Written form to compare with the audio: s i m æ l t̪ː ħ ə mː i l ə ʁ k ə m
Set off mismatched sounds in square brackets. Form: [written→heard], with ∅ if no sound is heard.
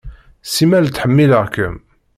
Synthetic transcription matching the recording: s i m æ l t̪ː ħ ə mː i l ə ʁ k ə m